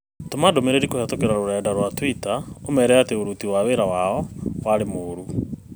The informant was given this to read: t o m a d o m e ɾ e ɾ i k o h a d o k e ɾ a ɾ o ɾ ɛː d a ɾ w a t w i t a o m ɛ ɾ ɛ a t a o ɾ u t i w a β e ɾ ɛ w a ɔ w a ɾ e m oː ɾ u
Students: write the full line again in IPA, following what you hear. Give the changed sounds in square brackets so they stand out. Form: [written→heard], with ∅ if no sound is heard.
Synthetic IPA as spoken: t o m a d o m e ɾ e ɾ i k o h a [d→t] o k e ɾ a ɾ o ɾ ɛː d a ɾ w a t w i t a o m ɛ ɾ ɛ a t [a→e] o ɾ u t i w a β e ɾ [ɛ→a] w a ɔ w a ɾ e m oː ɾ u